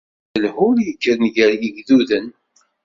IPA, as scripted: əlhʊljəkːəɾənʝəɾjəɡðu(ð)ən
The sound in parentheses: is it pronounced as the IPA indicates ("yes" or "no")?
yes